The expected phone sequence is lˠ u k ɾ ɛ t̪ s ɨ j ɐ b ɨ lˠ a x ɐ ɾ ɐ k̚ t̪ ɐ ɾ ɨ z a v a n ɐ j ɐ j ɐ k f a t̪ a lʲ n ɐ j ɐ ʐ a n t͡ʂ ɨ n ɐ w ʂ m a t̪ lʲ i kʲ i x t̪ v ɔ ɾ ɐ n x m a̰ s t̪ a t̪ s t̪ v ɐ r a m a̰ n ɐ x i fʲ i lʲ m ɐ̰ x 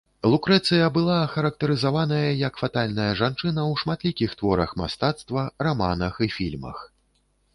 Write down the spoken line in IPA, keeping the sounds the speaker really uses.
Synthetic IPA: lˠ u k ɾ ɛ t̪ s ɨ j ɐ b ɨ lˠ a x ɐ ɾ ɐ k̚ t̪ ɐ ɾ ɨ z a v a n ɐ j ɐ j ɐ k f a t̪ a lʲ n ɐ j ɐ ʐ a n t͡ʂ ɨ n ɐ w ʂ m a t̪ lʲ i kʲ i x t̪ v ɔ ɾ ɐ x m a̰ s t̪ a t̪ s t̪ v ɐ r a m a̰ n ɐ x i fʲ i lʲ m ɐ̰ x

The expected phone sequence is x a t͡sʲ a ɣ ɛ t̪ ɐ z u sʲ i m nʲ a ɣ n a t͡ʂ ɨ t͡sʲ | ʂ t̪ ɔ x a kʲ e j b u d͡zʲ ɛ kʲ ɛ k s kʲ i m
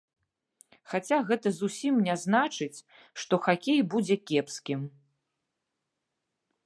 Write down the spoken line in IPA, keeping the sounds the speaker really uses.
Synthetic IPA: x a t͡sʲ a ɣ ɛ t̪ ɐ z u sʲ i m nʲ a z n a t͡ʂ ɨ t͡sʲ | ʂ t̪ ɔ x a kʲ e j b u d͡zʲ ɛ kʲ ɛ p s kʲ i m

